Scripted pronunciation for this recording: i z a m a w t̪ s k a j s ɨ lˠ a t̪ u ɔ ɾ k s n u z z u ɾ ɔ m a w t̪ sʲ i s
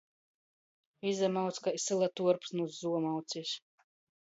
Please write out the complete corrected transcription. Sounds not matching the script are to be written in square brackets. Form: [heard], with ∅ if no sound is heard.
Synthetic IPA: i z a m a w t̪ s k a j s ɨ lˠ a t̪ u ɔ ɾ [p] s n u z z u [∅] ɔ m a w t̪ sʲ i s